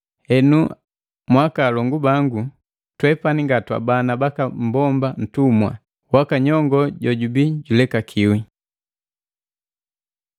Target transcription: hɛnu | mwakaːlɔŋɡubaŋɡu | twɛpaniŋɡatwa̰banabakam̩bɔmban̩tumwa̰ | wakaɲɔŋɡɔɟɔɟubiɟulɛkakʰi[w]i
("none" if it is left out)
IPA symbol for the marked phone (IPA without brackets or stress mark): w